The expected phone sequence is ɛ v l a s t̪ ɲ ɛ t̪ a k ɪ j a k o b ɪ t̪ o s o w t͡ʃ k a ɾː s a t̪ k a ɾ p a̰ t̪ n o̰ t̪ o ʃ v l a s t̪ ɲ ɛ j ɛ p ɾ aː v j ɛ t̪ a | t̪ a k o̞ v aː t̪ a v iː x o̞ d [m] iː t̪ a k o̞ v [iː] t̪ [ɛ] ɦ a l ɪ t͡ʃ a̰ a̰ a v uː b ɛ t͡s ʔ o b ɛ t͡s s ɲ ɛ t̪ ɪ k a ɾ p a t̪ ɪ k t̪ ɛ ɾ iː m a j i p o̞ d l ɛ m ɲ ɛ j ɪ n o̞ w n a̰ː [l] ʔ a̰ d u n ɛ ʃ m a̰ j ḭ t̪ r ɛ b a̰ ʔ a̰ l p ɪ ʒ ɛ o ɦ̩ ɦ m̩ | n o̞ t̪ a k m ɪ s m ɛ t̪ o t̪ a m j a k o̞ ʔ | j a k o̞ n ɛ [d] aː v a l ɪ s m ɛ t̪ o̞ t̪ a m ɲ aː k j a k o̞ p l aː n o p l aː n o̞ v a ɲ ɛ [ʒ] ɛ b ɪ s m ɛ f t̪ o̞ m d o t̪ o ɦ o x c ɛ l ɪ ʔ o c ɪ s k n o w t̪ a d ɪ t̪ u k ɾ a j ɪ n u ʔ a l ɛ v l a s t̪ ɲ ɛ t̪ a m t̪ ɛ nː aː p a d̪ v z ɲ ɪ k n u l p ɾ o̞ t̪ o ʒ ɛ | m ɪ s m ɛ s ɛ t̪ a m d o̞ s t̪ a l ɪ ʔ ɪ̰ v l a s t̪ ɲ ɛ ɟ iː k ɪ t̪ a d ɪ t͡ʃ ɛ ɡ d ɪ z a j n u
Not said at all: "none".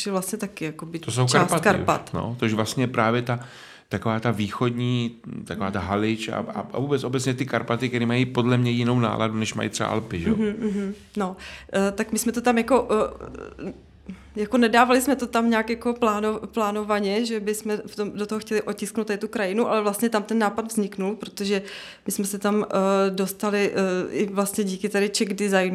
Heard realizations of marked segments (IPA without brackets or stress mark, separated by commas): ɲ, aː, a, l, d, ʒ